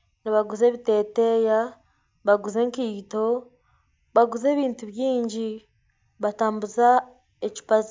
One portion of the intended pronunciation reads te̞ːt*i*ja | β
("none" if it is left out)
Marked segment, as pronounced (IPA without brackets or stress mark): e